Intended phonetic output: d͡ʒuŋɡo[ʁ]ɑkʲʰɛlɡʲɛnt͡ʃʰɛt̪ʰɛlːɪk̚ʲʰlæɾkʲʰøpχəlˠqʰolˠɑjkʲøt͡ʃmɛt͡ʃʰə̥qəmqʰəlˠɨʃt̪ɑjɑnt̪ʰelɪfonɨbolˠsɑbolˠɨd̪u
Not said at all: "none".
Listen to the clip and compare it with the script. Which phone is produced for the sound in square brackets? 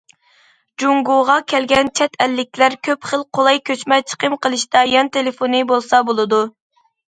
ʁ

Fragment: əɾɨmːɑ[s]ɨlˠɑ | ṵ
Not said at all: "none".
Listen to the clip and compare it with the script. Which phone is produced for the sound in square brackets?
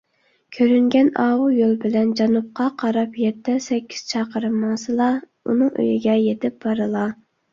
s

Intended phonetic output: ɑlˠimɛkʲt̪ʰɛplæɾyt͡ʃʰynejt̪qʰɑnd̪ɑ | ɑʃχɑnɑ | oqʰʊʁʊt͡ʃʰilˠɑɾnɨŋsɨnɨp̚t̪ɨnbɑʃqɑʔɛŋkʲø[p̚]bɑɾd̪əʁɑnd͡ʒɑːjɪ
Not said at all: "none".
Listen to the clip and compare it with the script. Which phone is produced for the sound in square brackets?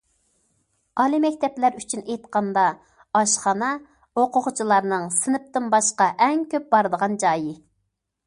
p̚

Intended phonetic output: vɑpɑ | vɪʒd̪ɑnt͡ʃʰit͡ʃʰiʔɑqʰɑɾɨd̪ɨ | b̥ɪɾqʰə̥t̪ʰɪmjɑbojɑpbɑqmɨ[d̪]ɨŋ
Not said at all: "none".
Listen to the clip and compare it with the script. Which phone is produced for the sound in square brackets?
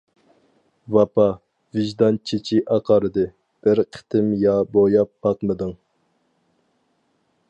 d̪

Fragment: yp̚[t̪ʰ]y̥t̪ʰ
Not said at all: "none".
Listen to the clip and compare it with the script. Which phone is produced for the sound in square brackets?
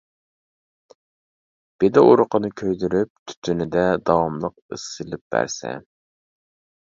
t̪ʰ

